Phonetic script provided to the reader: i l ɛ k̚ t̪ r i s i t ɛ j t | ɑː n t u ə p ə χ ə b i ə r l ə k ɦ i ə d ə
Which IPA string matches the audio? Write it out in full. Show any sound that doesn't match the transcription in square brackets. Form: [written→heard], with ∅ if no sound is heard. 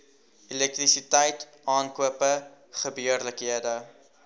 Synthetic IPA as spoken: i l ɛ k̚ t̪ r i s i t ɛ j t | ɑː n [t→k] u ə p ə χ ə b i ə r l ə k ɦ i ə d ə